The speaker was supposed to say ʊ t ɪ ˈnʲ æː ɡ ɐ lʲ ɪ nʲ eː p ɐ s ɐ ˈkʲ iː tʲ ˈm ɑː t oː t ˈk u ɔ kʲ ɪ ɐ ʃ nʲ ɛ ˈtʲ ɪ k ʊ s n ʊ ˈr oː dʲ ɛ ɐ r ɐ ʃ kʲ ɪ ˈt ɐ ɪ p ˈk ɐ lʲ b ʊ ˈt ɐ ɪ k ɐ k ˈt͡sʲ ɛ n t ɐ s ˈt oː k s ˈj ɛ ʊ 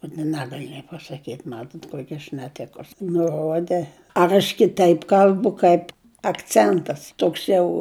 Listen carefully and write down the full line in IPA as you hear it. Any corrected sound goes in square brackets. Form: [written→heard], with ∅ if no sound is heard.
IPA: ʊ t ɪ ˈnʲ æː ɡ ɐ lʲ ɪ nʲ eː p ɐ s ɐ ˈkʲ iː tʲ ˈm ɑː t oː t ˈk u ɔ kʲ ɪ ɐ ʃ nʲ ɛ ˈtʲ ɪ k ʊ s n ʊ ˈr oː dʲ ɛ ɐ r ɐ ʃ kʲ ɪ ˈt ɐ ɪ p ˈk ɐ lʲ b ʊ [ˈt→ˈk] ɐ ɪ [k→p] ɐ k ˈt͡sʲ ɛ n t ɐ s ˈt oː k s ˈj ɛ ʊ